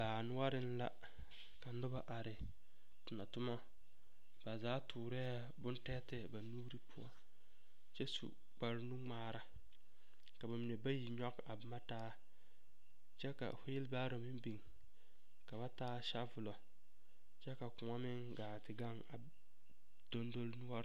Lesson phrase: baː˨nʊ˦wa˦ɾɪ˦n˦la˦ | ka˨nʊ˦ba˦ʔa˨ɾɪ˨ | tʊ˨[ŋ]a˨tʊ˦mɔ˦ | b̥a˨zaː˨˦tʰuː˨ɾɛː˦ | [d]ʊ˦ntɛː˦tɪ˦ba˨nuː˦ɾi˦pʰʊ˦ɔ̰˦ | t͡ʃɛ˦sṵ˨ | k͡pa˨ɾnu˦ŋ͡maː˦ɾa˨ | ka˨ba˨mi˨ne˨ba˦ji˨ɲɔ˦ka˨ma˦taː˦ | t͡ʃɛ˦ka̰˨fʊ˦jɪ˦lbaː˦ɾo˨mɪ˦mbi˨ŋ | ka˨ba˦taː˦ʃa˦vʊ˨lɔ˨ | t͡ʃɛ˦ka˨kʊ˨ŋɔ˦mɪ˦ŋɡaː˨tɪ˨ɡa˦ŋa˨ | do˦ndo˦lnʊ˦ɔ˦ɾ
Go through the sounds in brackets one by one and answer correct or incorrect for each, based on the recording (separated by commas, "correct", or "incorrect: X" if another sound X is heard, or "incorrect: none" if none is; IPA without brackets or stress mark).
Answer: incorrect: n, incorrect: b